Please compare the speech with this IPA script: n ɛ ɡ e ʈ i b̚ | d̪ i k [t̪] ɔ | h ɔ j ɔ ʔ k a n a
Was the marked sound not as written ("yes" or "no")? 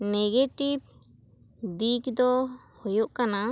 yes